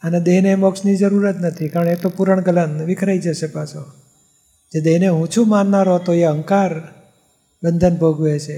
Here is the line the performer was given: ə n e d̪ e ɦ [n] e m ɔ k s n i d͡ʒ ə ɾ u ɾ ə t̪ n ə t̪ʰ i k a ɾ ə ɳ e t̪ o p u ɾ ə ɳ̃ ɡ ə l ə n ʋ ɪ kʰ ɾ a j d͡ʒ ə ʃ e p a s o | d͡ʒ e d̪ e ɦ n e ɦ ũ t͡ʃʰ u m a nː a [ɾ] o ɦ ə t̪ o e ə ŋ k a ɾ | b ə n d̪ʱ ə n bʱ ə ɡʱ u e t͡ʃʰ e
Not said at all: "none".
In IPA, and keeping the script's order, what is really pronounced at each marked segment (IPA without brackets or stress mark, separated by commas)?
n, ɾ